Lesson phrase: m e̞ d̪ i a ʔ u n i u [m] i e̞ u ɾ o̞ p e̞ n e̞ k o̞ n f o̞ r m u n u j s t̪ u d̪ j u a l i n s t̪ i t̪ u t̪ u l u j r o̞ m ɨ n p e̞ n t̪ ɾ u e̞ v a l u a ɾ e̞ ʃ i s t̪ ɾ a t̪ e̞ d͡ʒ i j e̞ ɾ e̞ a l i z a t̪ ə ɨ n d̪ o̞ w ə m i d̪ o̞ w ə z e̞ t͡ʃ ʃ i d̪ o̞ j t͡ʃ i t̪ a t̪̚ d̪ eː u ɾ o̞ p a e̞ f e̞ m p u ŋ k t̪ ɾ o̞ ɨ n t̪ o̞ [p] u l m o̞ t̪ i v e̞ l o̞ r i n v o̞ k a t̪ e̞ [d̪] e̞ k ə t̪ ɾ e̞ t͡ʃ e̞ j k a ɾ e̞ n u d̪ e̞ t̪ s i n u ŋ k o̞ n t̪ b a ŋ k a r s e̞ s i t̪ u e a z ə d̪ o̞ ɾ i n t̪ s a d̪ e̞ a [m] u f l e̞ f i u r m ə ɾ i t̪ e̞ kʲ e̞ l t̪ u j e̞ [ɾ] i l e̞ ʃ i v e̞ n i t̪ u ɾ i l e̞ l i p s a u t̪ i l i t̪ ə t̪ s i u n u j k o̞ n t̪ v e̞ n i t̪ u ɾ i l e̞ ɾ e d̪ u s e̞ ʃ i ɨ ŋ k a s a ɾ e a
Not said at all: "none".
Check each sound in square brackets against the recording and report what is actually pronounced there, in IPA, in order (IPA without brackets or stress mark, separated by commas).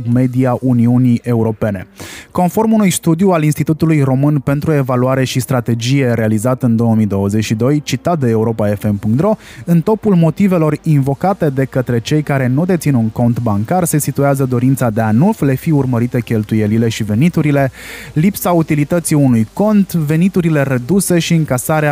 n, p, d̪, n, l